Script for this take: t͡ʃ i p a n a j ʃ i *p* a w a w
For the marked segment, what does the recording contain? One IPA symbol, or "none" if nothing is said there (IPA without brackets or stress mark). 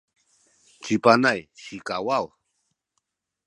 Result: k